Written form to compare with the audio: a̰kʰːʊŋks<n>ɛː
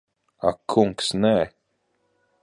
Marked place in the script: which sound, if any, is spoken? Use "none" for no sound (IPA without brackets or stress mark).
n